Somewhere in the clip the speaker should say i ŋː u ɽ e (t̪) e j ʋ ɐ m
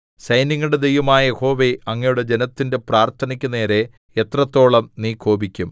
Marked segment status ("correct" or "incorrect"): incorrect